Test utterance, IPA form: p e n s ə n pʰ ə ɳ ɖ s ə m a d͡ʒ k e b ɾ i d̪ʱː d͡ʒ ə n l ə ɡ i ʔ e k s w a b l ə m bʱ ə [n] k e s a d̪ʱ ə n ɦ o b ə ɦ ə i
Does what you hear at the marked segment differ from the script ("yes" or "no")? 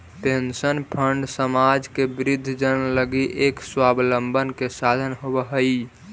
no